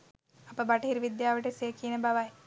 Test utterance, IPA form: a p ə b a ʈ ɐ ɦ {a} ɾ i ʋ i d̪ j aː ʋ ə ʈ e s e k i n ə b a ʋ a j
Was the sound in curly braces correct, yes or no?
no